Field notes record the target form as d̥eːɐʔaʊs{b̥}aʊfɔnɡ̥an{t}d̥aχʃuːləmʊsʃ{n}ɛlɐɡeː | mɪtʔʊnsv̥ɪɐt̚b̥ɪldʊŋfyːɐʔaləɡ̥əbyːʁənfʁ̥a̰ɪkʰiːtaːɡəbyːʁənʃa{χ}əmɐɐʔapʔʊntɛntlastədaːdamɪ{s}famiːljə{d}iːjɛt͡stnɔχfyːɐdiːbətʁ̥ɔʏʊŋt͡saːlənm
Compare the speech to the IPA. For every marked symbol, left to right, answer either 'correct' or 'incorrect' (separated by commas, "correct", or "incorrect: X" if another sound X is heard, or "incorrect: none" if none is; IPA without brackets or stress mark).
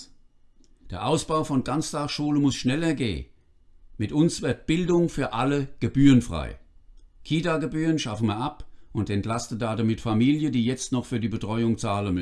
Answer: correct, incorrect: t͡s, correct, incorrect: f, incorrect: t, correct